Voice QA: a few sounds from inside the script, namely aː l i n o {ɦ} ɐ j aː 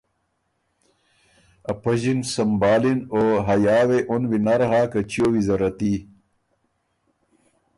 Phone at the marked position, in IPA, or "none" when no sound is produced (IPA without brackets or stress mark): ɦ